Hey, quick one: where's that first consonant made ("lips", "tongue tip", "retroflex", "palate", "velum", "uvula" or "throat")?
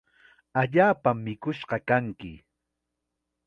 palate